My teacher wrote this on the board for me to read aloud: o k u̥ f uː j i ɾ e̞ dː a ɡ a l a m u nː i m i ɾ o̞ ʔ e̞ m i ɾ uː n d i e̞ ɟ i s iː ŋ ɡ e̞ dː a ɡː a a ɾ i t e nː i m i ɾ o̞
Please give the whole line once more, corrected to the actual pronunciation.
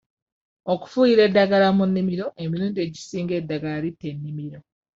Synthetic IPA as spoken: o k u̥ f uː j i ɾ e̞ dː a ɡ a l a m u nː i m i ɾ o̞ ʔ e̞ m i ɾ uː n d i e̞ ɟ i s iː ŋ ɡ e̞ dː a ɡ a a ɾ i t e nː i m i ɾ o̞